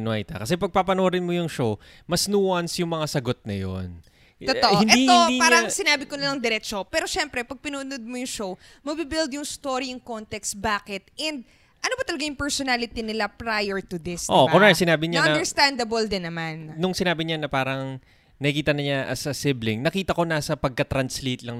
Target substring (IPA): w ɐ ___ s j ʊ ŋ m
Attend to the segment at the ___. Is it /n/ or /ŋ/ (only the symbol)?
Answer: n